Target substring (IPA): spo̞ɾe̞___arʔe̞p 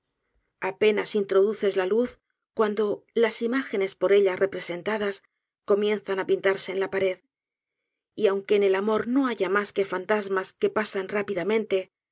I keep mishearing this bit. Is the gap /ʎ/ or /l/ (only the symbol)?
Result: ʎ